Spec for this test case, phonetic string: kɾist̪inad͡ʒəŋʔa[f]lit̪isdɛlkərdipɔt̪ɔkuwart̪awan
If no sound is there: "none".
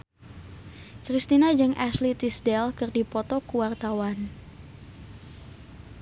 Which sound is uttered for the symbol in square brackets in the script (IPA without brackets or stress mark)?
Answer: s